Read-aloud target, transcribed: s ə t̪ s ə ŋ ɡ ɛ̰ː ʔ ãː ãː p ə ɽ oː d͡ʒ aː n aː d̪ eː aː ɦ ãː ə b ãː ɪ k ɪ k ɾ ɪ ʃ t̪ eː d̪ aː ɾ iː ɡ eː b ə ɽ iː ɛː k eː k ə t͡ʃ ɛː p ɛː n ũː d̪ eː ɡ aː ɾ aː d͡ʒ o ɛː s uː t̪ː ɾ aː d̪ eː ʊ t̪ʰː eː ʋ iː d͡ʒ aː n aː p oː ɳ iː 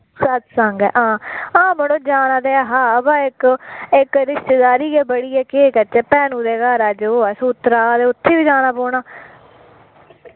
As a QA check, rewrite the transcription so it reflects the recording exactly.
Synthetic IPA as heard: s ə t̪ s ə ŋ ɡ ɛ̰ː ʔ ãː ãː b ə ɽ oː d͡ʒ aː n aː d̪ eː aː ɦ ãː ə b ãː ɪ k ɪ k ɾ ɪ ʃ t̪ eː d̪ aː ɾ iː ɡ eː b ə ɽ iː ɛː k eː k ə t͡ʃ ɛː p ɛː n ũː d̪ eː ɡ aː ɾ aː d͡ʒ o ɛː s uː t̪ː ɾ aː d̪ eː ʊ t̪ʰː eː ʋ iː d͡ʒ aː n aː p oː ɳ aː